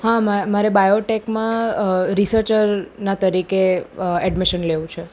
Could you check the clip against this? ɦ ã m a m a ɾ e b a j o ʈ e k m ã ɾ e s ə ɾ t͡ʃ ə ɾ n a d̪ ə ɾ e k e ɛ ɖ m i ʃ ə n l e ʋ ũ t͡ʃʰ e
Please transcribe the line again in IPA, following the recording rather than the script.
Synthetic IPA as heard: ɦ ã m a m a ɾ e b a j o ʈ e k m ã ɾ i s ə ɾ t͡ʃ ə ɾ n a t̪ ə ɾ i k e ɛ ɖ m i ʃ ə n l e ʋ ũ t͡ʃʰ e